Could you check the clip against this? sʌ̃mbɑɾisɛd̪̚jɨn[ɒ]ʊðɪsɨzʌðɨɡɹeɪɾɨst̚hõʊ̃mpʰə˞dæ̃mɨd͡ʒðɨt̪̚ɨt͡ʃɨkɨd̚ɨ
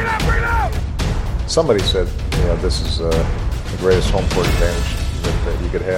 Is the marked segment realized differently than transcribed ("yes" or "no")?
yes